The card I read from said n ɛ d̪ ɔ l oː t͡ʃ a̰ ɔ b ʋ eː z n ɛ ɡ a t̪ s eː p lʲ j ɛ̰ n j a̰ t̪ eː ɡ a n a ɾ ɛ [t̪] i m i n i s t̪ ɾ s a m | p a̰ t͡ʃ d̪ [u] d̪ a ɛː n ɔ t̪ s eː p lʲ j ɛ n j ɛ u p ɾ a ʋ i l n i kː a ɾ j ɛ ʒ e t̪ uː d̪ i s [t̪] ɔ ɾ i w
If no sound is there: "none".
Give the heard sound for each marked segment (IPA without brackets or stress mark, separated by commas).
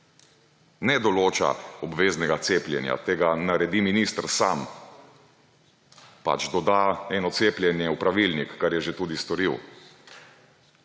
d̪, ɔ, t̪